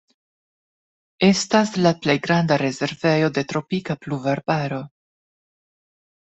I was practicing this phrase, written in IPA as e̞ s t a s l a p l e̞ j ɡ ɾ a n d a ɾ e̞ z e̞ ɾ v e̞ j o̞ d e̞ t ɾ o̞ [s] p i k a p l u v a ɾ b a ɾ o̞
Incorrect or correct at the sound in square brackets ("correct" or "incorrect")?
incorrect